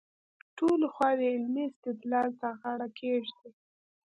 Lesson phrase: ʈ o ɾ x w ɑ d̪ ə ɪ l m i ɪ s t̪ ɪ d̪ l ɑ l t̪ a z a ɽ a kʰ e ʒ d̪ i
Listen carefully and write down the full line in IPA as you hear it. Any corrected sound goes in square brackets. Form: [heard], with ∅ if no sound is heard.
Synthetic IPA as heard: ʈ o [l] x w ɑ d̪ ə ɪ l m i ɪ s t̪ ɪ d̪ l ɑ l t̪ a [ɣ] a ɽ a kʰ e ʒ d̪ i